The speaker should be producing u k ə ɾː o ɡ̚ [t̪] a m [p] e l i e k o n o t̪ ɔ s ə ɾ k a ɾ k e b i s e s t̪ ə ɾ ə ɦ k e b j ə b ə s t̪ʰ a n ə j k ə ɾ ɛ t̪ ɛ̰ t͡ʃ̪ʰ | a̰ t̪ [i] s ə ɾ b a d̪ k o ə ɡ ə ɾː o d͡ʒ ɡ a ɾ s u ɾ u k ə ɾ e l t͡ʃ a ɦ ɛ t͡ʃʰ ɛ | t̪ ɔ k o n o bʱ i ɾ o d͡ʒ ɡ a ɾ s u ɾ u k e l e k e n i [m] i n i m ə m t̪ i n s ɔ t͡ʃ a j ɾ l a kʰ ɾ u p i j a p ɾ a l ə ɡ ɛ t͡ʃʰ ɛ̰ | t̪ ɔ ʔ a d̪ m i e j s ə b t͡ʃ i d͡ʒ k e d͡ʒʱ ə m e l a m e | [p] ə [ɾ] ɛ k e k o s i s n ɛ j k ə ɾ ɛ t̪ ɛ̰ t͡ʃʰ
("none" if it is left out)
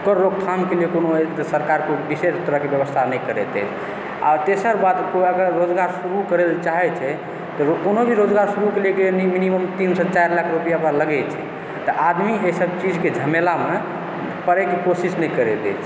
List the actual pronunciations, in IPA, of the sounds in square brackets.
t̪ʰ, k, e, m, p, ɾ

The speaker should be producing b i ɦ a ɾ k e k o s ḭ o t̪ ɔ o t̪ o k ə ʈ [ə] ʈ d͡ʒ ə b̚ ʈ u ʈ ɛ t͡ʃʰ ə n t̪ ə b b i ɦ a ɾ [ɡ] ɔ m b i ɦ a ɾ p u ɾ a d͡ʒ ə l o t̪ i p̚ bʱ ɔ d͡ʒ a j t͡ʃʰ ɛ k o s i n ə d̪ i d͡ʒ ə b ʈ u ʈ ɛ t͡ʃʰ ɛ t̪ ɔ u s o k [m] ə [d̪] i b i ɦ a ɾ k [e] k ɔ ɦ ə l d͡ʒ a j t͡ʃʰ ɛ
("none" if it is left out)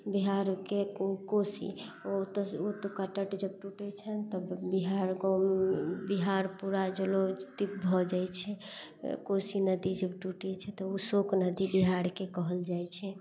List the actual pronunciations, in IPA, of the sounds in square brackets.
ə, ɡ, n, d̪, e

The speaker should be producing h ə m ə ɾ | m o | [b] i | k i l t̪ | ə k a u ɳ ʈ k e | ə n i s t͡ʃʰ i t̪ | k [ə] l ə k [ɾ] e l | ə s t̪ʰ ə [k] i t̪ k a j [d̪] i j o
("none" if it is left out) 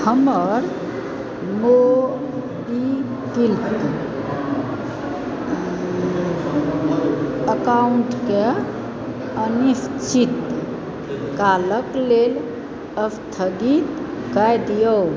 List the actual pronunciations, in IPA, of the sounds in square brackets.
b, a, l, ɡ, d̪

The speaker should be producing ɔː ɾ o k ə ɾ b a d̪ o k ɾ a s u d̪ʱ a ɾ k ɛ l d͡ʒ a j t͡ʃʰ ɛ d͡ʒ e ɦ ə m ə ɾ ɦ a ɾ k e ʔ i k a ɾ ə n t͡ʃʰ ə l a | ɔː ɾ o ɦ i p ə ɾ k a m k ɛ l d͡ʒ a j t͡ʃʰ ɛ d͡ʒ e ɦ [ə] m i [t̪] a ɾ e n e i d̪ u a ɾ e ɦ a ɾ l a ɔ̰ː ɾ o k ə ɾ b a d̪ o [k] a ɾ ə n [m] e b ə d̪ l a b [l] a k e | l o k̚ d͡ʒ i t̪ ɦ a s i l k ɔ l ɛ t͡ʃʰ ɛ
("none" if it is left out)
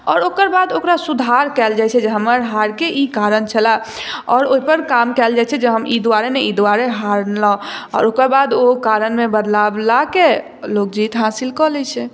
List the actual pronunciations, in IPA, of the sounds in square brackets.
ə, d̪, k, m, l

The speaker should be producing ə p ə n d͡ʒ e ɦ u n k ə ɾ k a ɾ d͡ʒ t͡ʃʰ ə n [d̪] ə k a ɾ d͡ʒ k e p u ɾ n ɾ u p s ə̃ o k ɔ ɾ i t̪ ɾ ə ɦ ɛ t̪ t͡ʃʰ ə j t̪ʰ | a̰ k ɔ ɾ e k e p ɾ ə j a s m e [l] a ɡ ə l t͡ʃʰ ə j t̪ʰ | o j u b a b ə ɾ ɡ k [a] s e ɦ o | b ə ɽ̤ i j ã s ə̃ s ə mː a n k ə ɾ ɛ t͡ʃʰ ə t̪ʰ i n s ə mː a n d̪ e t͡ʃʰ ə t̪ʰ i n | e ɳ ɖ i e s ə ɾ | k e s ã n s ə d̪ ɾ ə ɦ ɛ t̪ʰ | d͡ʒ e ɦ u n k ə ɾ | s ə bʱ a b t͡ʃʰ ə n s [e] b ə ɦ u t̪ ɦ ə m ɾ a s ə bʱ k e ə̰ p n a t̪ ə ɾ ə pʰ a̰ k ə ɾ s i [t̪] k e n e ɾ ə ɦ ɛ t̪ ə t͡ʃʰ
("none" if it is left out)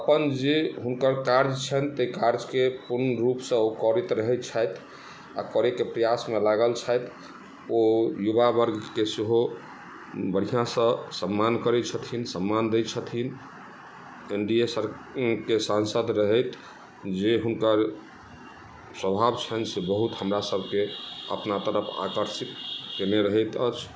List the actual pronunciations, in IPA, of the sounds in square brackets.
t̪, l, e, e, t̪

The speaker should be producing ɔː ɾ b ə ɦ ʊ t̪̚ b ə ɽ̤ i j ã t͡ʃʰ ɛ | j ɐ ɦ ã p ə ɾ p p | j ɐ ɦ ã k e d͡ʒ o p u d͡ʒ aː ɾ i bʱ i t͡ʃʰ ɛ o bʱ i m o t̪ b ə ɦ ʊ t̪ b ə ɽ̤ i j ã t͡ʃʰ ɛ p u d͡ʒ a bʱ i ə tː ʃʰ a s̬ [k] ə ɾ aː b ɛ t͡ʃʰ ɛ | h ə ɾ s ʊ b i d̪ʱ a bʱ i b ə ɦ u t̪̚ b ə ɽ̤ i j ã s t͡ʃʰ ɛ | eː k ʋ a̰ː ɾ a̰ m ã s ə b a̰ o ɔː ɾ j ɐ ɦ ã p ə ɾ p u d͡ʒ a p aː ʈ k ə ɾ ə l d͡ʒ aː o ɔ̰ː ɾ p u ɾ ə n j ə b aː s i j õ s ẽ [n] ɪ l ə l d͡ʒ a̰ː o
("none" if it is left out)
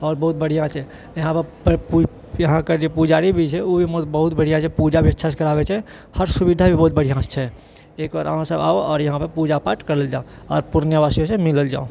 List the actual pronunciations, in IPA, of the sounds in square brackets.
k, m

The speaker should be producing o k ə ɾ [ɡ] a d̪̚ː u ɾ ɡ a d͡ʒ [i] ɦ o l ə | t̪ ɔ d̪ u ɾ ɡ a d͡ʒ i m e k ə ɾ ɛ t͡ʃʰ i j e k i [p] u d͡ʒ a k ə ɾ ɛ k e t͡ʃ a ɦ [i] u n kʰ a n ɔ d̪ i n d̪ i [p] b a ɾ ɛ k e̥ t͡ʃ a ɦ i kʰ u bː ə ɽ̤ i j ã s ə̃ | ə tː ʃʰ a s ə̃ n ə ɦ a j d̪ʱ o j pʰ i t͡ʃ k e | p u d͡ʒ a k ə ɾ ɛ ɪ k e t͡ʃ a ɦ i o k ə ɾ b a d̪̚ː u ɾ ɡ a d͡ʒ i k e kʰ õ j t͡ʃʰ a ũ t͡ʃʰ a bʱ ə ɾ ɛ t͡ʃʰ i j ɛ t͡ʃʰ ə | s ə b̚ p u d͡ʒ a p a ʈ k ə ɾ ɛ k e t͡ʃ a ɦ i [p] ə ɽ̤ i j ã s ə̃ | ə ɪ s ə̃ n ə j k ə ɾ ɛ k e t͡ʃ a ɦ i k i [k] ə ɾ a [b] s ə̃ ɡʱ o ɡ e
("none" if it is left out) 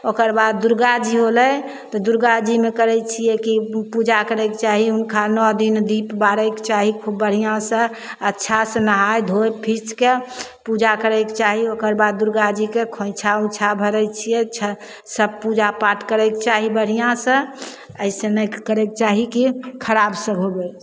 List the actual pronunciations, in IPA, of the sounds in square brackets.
b, i, p, i, p, b, kʰ, b

